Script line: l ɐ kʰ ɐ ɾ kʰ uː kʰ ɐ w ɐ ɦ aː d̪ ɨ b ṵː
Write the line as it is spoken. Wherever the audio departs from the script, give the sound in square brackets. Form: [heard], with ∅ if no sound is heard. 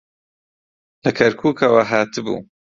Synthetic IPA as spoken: l ɐ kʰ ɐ ɾ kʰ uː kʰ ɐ w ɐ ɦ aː [t̪] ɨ b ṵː